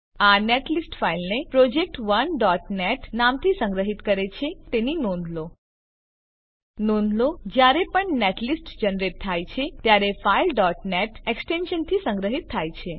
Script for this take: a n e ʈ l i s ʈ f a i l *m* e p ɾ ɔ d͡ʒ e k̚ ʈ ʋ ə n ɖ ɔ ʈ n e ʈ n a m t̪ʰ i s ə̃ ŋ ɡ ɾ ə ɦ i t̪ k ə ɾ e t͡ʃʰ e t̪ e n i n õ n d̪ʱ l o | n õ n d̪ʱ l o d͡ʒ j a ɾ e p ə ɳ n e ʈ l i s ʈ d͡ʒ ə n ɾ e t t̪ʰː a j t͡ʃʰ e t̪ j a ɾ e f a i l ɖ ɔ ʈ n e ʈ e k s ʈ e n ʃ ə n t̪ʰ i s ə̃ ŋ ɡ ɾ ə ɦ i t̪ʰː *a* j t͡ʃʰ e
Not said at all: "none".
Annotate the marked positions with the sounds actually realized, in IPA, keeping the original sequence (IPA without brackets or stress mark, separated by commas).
n, a